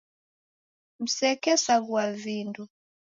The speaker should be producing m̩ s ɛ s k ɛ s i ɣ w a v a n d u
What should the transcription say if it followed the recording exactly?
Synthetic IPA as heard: m̩ s ɛ k ɛ s a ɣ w a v i n d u